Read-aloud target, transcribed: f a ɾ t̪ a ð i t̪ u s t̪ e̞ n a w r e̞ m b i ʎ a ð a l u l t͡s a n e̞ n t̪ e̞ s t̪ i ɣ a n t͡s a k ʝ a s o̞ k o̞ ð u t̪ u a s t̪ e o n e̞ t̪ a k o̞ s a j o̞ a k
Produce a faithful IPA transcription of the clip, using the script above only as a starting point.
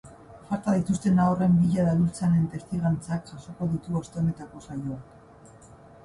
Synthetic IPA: f a ɾ t̪ a ð i t̪ u s t̪ e̞ n a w r e̞ m b i ʎ a ð a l u l t͡s a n e̞ n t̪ e̞ s t̪ i ɣ a n t͡s a k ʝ a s o̞ k o̞ ð u t̪ u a s t̪ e o n e̞ t̪ a k o̞ s a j o̞ a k